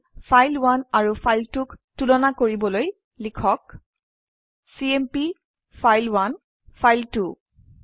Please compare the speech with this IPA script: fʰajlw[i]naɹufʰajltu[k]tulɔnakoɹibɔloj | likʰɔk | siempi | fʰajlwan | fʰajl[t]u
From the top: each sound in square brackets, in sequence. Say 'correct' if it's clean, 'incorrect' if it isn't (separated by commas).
incorrect, correct, correct